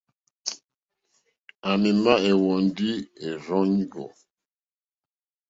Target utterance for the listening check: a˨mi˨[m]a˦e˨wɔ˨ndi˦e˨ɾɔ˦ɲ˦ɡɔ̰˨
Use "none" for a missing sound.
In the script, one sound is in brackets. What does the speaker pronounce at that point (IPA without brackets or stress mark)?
m